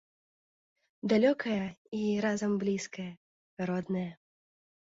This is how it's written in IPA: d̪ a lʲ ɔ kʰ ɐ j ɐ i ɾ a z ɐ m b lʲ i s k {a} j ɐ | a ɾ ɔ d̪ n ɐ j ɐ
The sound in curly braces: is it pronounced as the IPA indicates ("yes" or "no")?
no